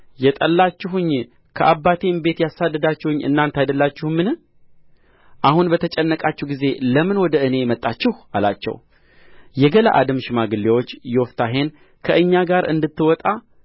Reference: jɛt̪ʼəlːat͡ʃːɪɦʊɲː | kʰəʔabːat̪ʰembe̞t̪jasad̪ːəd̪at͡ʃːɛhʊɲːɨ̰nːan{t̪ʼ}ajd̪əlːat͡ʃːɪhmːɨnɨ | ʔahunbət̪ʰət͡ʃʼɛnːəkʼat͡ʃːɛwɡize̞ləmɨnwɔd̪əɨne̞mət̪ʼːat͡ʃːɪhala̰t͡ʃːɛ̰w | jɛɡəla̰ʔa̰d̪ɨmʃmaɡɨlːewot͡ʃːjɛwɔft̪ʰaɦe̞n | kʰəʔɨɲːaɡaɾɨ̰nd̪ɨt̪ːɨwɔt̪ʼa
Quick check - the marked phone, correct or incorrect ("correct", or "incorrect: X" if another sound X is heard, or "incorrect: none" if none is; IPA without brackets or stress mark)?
incorrect: t̪